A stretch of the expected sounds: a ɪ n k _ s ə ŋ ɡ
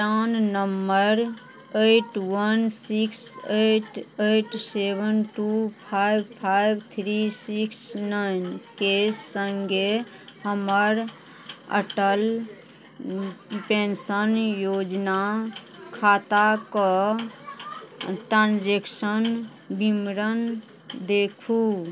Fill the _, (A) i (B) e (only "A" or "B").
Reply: B